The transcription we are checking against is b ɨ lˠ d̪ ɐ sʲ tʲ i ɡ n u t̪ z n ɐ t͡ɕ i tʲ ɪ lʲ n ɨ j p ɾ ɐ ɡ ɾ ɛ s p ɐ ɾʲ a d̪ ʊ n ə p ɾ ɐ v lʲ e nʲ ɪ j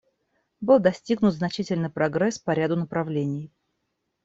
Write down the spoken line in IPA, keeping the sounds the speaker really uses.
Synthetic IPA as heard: b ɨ lˠ d̪ ɐ sʲ tʲ i ɡ n ʊ t̪ z n ɐ t͡ɕ i tʲ ɪ lʲ n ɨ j p ɾ ɐ ɡ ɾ ɛ s p ɐ ɾʲ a d̪ ʊ n ə p ɾ ɐ v lʲ e nʲ ɪ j